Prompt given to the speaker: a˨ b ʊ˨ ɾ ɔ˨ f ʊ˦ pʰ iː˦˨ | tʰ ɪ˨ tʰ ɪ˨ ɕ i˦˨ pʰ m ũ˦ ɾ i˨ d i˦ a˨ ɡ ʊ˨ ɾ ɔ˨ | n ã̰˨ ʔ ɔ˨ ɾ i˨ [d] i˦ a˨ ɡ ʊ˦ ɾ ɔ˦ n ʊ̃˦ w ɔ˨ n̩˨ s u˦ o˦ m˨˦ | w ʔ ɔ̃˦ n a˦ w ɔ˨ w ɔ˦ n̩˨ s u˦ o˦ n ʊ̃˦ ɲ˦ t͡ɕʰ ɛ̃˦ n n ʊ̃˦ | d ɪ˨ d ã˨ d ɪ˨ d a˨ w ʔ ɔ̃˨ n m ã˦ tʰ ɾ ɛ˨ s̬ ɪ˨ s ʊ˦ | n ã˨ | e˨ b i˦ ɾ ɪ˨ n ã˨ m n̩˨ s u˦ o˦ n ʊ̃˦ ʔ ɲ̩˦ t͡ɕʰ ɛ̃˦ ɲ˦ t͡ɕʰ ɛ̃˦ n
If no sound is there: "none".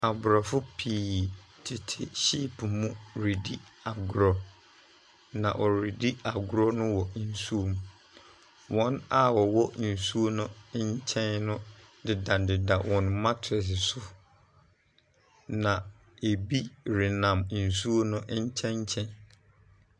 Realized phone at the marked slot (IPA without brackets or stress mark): d